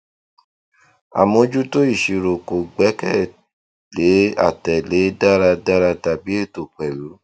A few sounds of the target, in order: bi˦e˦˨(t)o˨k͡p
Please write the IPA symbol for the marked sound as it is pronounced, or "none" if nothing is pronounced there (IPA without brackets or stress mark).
t